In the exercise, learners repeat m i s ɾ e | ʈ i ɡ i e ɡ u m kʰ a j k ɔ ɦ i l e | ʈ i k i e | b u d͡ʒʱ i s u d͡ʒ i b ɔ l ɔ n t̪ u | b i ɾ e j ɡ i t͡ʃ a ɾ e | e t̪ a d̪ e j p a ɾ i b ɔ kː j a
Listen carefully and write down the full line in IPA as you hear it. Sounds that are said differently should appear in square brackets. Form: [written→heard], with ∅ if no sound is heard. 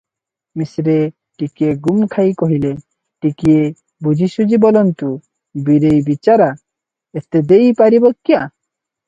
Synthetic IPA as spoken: m i s ɾ e | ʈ i [ɡ→k] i e ɡ u m kʰ a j k ɔ ɦ i l e | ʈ i k i e | b u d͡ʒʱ i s u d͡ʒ i b ɔ l ɔ n t̪ u | b i ɾ e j [ɡ→b] i t͡ʃ a ɾ [e→a] | e t̪ [a→e] d̪ e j p a ɾ i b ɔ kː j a

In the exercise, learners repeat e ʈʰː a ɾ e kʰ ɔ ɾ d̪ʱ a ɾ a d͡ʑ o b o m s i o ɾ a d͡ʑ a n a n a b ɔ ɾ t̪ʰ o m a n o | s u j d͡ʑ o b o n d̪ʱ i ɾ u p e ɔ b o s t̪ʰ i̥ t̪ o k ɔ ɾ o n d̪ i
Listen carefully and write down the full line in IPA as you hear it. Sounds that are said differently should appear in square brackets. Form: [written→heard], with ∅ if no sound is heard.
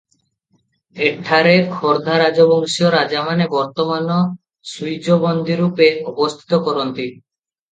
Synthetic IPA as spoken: e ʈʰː a ɾ e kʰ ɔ ɾ d̪ʱ a ɾ a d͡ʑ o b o [m→ŋ] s i o ɾ a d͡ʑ a [n→m] a n [a→e] b ɔ ɾ [t̪ʰ→t̪] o m a n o | s u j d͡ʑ o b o n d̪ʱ i ɾ u p e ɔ b o s t̪ʰ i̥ t̪ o k ɔ ɾ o n [d̪→t̪] i

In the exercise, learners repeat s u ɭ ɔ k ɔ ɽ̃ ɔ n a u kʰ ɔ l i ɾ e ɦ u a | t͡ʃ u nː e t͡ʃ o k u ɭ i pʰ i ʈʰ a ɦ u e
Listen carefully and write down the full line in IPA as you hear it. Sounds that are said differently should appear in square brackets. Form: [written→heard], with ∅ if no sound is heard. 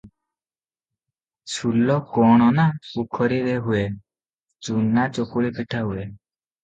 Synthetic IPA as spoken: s u [ɭ→l] ɔ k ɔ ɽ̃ ɔ n a u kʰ ɔ [l→ɾ] i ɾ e ɦ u [a→e] | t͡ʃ u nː [e→a] t͡ʃ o k u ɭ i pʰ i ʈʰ a ɦ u e

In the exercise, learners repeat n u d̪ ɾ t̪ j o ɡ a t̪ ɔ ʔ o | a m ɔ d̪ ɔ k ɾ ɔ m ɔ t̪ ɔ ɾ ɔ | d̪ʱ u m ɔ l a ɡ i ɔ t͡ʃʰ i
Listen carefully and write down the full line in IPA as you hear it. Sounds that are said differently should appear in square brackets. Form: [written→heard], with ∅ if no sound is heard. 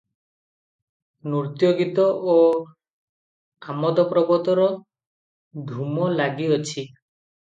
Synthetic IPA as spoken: n u [d̪→∅] ɾ t̪ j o ɡ [a→i] t̪ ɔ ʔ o | a m ɔ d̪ ɔ [k→p] ɾ ɔ [m→b] ɔ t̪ ɔ ɾ ɔ | d̪ʱ u m ɔ l a ɡ i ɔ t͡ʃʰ i

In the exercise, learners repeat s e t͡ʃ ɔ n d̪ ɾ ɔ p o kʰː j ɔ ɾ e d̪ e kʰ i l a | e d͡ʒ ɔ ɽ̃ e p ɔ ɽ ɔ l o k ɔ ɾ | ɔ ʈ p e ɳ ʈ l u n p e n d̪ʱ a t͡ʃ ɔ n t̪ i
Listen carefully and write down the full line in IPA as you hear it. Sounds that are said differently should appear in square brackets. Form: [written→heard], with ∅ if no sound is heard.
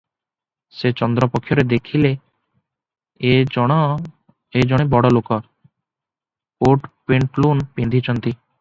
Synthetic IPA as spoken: s e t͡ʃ ɔ n d̪ ɾ ɔ p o kʰː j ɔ ɾ e d̪ e kʰ i l [a→e] | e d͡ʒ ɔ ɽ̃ e [p→b] ɔ ɽ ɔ l o k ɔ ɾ | [ɔ→o] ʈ p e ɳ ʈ l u n p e n d̪ʱ [a→i] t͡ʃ ɔ n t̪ i

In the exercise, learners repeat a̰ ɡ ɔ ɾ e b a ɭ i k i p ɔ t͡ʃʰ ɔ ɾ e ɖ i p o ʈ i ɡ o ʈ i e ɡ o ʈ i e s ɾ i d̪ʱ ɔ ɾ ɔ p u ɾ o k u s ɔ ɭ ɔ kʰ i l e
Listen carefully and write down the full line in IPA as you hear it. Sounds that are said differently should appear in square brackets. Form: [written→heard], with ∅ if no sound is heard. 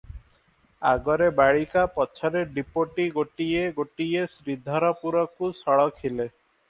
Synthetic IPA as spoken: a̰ ɡ ɔ ɾ e b a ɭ i k [i→a] p ɔ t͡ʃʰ ɔ ɾ e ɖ i p o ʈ i ɡ o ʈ i e ɡ o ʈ i e s ɾ i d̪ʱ ɔ ɾ ɔ p u ɾ [o→ɔ] k u s ɔ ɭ ɔ kʰ i l e

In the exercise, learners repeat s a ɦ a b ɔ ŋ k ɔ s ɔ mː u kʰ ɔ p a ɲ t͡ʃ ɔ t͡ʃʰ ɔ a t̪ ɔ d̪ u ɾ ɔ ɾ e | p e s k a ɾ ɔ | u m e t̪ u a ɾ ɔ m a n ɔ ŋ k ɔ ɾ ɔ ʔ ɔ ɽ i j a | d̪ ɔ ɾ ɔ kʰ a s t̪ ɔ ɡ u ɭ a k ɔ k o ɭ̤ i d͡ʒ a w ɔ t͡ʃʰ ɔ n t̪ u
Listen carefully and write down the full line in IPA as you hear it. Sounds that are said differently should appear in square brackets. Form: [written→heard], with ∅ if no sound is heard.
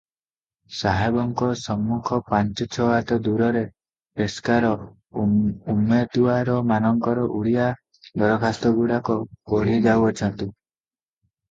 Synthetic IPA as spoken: s a ɦ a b ɔ ŋ k ɔ s ɔ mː u kʰ ɔ p a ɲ t͡ʃ ɔ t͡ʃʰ ɔ a t̪ ɔ d̪ u ɾ ɔ ɾ e | p e s k a ɾ ɔ | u m e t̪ u a ɾ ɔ m a n ɔ ŋ k ɔ ɾ ɔ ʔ [ɔ→u] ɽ i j a | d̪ ɔ ɾ ɔ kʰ a s t̪ ɔ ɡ u [ɭ→ɽ] a k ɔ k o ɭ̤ i d͡ʒ a w ɔ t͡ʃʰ ɔ n t̪ u

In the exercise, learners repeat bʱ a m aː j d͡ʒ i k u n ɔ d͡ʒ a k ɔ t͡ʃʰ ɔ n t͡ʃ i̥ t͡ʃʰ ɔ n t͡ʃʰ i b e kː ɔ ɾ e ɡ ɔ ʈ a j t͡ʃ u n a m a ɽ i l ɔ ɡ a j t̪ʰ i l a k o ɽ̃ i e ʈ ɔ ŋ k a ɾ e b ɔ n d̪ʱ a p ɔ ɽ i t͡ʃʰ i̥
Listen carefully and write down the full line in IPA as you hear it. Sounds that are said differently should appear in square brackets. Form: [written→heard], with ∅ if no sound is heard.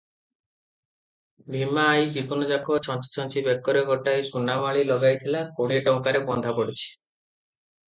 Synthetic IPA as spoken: bʱ [a→i] m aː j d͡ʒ i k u n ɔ d͡ʒ a k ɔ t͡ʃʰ ɔ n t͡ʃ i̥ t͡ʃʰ ɔ n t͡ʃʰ i b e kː ɔ ɾ e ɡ ɔ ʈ a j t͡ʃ u n a m a [ɽ→ɭ] i l ɔ ɡ a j t̪ʰ i l a k o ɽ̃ i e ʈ ɔ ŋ k a ɾ e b ɔ n d̪ʱ a p ɔ ɽ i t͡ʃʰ i̥

